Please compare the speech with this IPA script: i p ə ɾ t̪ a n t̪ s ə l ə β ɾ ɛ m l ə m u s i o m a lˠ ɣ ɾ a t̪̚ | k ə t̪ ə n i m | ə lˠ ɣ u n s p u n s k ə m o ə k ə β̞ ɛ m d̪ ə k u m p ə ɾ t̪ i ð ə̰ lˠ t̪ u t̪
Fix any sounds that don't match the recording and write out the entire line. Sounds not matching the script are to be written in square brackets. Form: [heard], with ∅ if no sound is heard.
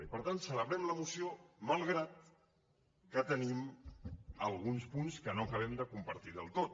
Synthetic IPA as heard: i p ə ɾ t̪ a n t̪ s ə l ə β ɾ ɛ m l ə m u s i o m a lˠ ɣ ɾ a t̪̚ | k ə t̪ ə n i m | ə lˠ ɣ u n s p u n s k ə [n] o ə k ə β̞ ɛ m d̪ ə k u m p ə ɾ t̪ i ð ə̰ lˠ t̪ [o] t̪